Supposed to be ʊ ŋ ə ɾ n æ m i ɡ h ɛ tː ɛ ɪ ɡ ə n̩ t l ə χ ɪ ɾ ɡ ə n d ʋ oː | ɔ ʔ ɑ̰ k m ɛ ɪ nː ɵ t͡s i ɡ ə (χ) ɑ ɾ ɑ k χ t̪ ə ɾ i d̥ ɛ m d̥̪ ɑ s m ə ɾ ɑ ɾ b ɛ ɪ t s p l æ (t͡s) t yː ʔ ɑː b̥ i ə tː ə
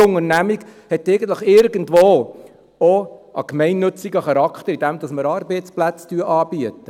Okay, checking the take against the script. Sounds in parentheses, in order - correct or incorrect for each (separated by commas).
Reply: correct, correct